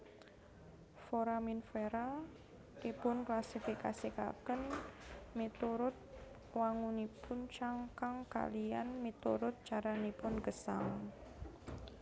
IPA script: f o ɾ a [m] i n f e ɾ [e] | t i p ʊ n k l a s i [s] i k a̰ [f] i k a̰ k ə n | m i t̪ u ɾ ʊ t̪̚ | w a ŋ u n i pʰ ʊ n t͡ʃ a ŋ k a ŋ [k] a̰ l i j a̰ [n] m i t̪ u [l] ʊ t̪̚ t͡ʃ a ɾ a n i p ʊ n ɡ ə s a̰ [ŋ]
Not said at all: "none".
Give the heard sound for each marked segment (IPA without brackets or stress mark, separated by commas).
m, a, f, s, k, n, ɾ, ŋ